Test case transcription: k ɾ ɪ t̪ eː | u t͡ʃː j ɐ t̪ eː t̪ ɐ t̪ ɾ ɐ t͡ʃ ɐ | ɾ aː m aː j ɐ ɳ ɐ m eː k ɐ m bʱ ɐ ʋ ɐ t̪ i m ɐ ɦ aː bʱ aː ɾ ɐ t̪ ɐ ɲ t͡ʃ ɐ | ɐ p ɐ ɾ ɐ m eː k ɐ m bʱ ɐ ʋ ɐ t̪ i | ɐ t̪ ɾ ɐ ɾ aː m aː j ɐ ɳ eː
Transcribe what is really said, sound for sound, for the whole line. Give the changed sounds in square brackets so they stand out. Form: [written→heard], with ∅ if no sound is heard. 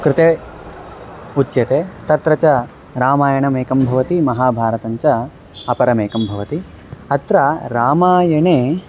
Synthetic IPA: k ɾ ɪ t̪ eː | u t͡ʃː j ɐ t̪ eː t̪ ɐ t̪ ɾ ɐ t͡ʃ ɐ | ɾ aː m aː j ɐ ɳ ɐ m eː k ɐ m bʱ ɐ ʋ ɐ t̪ i m ɐ ɦ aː bʱ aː ɾ ɐ t̪ ɐ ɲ t͡ʃ ɐ | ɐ p ɐ ɾ ɐ m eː k ɐ m bʱ ɐ ʋ ɐ t̪ i | ɐ t̪ ɾ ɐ ɾ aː m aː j ɐ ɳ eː